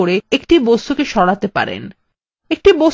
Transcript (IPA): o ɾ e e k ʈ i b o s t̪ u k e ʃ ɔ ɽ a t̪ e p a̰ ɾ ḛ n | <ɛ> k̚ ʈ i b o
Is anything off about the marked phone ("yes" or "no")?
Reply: yes